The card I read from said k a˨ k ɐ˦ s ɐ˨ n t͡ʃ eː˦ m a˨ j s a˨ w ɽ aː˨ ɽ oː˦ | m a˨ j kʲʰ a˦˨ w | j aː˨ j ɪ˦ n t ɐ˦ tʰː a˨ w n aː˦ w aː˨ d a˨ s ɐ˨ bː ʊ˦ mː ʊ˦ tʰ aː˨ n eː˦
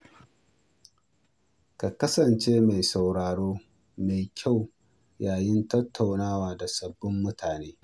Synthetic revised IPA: k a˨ k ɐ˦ s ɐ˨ n t͡ʃ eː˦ m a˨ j s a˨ w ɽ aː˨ ɽ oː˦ | m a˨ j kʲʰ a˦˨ w | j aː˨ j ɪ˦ n t ɐ˦ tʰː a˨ w n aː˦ w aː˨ d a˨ s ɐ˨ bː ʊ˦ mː ʊ˦ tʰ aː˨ n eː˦